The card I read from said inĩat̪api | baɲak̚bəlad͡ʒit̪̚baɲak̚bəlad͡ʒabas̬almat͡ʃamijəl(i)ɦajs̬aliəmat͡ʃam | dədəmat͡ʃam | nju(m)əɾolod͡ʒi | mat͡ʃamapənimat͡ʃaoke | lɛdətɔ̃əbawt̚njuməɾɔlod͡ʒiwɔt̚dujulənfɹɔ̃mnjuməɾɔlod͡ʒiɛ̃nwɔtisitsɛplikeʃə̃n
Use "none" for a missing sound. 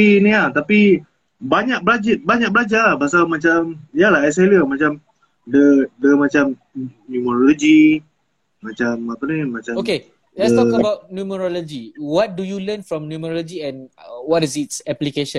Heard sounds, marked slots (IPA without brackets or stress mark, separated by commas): a, m